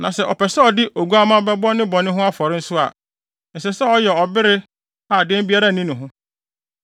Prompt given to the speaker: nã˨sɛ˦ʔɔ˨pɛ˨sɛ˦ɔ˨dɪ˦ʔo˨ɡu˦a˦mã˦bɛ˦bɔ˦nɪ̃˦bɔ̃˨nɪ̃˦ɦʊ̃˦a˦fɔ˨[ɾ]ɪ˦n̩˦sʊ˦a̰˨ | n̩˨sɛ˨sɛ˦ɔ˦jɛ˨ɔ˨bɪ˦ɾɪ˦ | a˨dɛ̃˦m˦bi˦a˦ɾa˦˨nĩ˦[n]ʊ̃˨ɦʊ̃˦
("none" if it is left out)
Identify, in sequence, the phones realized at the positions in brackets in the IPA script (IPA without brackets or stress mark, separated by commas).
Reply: ɾ, n